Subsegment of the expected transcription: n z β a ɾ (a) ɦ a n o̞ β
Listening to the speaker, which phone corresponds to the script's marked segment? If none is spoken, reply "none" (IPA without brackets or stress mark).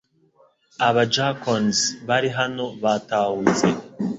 i